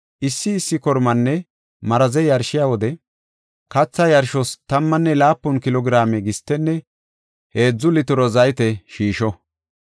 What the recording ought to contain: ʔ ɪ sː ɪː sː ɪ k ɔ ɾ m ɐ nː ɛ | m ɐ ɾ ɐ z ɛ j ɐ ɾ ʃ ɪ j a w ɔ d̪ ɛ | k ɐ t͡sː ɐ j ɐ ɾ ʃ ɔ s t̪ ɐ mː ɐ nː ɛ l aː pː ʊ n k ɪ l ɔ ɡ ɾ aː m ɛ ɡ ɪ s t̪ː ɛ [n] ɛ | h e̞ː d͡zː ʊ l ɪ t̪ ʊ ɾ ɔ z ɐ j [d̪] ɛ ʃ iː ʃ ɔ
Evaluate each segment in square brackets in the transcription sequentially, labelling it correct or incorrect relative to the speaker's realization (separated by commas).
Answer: incorrect, incorrect